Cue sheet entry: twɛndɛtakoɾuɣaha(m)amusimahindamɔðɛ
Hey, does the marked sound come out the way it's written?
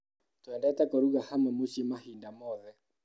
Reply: yes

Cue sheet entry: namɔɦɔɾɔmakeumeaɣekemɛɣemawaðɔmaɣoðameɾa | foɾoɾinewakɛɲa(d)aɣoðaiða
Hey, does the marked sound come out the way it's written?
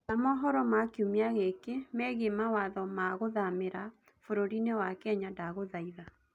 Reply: yes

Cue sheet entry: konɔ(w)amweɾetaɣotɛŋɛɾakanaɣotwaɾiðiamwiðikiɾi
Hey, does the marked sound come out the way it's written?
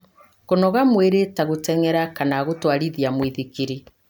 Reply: no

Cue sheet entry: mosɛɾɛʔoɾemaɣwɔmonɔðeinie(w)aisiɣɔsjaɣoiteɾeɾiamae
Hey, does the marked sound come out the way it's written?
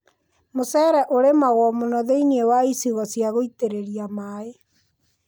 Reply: yes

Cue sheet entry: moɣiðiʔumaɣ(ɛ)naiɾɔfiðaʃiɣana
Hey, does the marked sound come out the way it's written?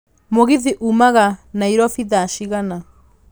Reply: no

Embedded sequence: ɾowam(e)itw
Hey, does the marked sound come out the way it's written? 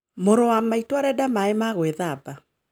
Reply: no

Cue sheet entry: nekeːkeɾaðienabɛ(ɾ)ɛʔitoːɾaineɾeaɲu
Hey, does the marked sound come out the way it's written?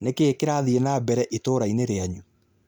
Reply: yes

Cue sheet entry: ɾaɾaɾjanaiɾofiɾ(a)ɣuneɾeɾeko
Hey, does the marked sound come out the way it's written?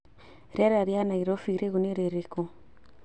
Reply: no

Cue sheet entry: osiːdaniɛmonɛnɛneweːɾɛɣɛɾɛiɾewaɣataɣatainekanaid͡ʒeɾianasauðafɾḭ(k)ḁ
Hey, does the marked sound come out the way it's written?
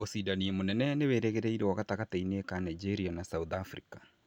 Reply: yes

